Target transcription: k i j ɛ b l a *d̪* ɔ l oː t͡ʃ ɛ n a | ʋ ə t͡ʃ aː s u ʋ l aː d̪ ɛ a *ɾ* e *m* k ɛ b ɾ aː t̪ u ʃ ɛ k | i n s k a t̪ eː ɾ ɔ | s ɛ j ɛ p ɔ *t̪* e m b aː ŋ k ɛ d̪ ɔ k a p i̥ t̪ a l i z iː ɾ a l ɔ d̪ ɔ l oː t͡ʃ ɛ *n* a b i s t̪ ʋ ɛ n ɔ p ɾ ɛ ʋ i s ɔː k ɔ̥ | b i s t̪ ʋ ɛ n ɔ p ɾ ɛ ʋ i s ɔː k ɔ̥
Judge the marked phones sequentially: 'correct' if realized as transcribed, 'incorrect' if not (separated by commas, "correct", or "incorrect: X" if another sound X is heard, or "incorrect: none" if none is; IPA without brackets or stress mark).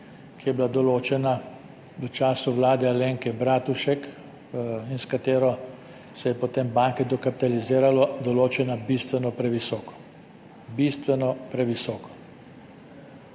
correct, incorrect: l, incorrect: ŋ, correct, correct